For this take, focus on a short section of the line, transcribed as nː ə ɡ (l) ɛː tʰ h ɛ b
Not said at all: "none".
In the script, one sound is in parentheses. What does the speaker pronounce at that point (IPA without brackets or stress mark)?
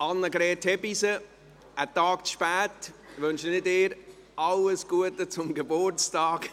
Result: ɾ